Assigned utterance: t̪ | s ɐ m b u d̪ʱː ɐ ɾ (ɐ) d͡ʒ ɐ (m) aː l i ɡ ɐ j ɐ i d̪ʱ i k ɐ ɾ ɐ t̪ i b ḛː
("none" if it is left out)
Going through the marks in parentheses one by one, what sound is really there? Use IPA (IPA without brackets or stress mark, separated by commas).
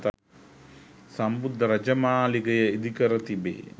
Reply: ɐ, m